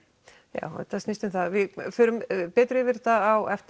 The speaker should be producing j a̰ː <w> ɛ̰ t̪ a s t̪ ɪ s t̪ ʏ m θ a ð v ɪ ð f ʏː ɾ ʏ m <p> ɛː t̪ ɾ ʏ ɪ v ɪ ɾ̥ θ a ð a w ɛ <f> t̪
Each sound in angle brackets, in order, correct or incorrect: correct, correct, correct

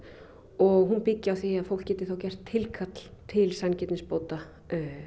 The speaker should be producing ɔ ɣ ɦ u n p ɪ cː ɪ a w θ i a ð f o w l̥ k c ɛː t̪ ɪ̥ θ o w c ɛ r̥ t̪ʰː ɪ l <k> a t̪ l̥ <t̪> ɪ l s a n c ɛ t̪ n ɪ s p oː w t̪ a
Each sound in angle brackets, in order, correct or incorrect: incorrect, incorrect

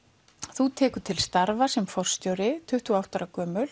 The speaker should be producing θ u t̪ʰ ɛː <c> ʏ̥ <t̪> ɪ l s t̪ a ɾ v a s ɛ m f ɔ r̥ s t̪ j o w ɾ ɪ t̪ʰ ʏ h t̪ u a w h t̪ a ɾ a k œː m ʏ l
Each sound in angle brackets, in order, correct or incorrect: incorrect, incorrect

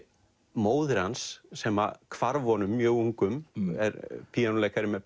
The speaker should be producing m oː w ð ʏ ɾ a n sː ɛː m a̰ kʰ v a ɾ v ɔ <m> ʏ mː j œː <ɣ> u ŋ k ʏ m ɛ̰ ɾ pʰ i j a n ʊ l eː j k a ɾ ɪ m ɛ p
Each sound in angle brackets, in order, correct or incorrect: incorrect, correct

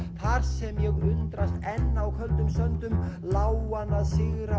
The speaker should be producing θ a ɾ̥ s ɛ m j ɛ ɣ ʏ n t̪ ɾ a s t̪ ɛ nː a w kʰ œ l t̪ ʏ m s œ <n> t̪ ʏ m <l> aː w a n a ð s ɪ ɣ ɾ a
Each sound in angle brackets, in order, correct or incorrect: correct, correct

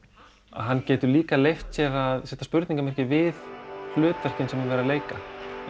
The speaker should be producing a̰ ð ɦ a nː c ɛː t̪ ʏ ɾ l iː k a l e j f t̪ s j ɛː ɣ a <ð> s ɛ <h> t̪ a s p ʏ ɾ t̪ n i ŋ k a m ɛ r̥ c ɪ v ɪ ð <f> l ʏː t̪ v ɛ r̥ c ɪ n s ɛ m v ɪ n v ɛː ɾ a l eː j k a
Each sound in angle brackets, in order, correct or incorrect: correct, correct, correct

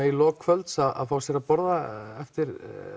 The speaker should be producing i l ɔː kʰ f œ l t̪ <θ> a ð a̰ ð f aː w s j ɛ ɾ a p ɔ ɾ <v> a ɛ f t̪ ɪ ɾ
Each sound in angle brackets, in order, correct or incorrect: incorrect, incorrect

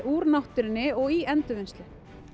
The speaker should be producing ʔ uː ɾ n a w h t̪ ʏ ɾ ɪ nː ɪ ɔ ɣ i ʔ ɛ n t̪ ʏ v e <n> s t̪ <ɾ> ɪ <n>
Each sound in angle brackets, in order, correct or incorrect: correct, incorrect, incorrect

